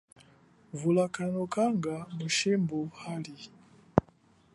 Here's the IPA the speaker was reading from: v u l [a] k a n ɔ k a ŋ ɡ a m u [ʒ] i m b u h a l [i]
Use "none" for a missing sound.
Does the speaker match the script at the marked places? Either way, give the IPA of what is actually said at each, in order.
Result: a, ʃ, i

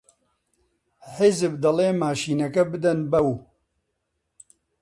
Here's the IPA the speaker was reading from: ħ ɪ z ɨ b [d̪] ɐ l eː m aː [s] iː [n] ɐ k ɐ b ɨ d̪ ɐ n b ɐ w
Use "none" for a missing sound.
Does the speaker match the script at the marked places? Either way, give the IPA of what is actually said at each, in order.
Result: d̪, ʃ, n

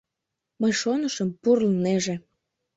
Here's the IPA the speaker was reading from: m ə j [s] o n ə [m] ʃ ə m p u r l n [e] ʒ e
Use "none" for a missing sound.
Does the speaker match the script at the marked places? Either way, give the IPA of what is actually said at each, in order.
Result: ʃ, none, e

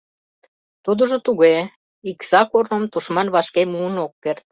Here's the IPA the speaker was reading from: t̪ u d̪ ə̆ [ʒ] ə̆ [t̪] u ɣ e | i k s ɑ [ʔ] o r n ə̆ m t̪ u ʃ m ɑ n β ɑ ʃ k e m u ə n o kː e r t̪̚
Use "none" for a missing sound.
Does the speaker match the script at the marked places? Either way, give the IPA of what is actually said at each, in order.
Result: ʒ, t̪, k

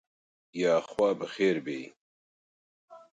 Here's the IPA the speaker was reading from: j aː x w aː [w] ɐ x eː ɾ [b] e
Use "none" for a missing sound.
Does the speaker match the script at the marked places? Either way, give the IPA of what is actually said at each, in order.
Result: b, b

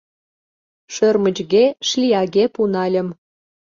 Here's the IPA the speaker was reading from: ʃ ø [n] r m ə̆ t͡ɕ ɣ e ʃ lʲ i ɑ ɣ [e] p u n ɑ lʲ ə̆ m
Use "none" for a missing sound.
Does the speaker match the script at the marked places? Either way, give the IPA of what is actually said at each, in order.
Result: none, e

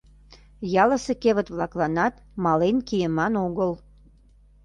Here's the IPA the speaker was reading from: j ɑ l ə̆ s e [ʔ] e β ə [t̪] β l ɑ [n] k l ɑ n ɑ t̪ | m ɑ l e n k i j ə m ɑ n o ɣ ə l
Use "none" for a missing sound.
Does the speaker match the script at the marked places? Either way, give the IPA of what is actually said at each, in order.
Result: k, t̪, none

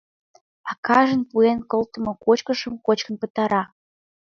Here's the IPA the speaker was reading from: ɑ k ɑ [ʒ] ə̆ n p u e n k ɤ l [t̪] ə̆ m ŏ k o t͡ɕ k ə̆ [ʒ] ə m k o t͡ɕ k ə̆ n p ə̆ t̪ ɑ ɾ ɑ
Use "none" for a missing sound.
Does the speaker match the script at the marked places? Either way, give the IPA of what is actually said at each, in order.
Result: ʒ, t̪, ʃ

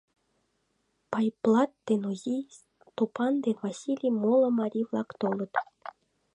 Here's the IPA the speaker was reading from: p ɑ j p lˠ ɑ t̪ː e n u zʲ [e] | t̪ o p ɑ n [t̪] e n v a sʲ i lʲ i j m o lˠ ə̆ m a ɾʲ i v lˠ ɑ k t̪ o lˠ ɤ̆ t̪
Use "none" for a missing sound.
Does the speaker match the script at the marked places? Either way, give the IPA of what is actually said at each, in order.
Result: i, d̪

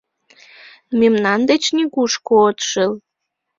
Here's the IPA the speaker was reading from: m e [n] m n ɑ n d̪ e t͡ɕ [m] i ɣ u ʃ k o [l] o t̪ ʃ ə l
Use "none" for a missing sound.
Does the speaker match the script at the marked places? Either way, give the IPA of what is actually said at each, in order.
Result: none, n, none

